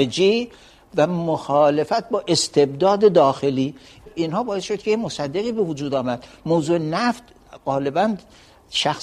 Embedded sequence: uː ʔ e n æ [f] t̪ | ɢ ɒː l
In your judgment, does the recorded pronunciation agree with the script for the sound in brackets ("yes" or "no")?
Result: yes